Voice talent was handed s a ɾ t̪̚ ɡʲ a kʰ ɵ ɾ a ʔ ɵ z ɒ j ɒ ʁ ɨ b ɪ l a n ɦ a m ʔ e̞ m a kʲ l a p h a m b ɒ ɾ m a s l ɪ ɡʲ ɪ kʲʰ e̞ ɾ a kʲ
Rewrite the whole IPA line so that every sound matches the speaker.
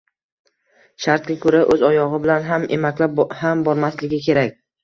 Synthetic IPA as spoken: ʃ a ɾ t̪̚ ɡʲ a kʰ ɵ ɾ a ʔ ɵ z ɒ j ɒ ʁ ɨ b ɪ l a n ɦ a m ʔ e̞ m a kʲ l a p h a m b ɒ ɾ m a s l ɪ ɡʲ ɪ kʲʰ e̞ ɾ a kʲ